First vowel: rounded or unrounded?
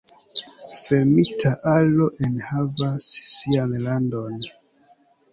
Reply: unrounded